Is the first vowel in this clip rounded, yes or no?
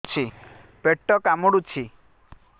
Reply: no